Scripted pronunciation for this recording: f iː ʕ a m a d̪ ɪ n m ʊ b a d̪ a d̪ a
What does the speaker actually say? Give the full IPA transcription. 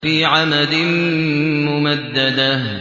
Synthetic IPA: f iː ʕ a m a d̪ ɪ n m ʊ m a d̪ː a d̪ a